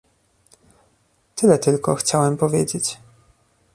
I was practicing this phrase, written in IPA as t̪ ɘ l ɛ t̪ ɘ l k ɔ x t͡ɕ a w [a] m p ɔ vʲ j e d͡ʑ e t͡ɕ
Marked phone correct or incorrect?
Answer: incorrect